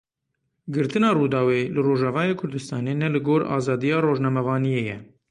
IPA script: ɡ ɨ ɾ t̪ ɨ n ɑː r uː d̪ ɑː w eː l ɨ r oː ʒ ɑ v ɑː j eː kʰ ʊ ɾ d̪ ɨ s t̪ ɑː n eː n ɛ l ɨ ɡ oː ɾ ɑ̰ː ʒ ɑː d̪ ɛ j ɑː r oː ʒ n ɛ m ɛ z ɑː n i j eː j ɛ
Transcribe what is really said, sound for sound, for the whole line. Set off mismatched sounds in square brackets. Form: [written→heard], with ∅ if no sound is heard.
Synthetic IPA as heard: ɡ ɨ ɾ t̪ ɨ n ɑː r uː d̪ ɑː w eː l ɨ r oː ʒ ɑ v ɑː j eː kʰ ʊ ɾ d̪ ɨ s t̪ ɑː n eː n ɛ l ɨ ɡ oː ɾ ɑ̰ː [ʒ→z] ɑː d̪ [ɛ→i] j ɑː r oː ʒ n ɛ m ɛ [z→v] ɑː n i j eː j ɛ